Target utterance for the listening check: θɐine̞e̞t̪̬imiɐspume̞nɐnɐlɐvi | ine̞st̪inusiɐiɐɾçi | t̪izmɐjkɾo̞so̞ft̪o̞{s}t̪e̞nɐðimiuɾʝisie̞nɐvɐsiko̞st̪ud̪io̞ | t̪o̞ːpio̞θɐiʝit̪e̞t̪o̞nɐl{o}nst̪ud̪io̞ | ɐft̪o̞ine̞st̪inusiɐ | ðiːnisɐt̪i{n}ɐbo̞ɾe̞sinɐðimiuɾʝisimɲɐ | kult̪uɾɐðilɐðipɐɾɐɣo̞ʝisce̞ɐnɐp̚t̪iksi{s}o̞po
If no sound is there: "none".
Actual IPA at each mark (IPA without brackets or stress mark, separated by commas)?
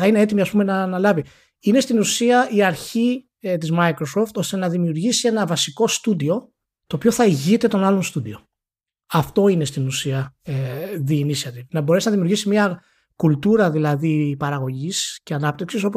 s, o, n, s